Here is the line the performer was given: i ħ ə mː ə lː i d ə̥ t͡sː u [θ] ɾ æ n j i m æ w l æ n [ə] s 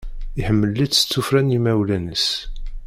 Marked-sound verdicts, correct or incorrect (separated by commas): incorrect, correct